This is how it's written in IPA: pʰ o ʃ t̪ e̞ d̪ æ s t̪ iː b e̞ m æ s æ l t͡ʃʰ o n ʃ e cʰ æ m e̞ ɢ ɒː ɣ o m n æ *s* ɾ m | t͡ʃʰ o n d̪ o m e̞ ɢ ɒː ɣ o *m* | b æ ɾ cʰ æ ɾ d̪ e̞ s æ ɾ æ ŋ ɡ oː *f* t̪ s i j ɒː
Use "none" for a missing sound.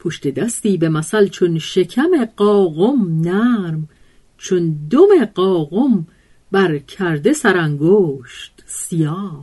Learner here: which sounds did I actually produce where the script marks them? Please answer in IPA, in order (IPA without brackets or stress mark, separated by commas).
none, m, ʃ